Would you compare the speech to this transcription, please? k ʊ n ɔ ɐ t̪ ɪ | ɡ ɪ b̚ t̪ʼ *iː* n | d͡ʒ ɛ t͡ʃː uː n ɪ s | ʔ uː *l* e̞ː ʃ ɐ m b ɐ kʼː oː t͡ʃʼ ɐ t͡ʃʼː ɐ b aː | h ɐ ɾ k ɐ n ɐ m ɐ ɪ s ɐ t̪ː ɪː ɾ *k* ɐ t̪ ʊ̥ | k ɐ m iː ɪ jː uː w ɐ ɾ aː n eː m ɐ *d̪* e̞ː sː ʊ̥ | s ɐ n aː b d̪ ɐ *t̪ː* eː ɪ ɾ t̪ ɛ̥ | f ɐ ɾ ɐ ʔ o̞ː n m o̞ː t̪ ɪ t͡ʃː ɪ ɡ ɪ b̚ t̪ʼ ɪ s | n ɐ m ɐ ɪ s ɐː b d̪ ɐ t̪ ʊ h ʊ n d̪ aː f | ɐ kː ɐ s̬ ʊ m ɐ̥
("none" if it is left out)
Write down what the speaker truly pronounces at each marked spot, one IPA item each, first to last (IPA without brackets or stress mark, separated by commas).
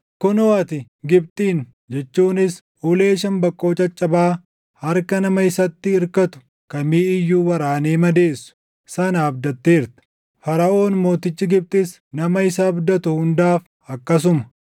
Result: iː, l, k, d̪, t̪ː